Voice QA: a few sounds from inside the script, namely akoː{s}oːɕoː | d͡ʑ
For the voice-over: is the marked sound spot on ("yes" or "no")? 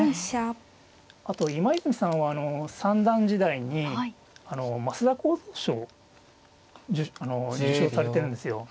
no